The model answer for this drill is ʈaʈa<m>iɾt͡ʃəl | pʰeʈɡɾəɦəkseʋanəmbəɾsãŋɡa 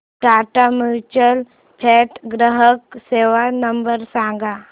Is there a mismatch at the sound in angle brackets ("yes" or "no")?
no